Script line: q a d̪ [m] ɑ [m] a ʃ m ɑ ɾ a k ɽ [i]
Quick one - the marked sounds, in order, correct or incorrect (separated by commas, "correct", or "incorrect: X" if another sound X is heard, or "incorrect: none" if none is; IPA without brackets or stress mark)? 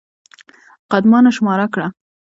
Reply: correct, incorrect: n, incorrect: a